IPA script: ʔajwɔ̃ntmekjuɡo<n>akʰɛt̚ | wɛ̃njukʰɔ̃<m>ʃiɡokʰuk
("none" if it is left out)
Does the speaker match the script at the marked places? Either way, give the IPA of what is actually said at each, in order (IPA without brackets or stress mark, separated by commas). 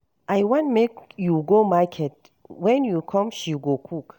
m, m